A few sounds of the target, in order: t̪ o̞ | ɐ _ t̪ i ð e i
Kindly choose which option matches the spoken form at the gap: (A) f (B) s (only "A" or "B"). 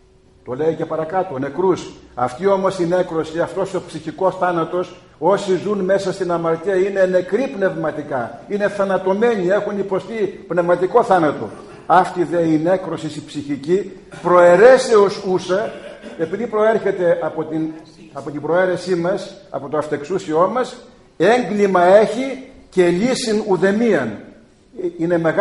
A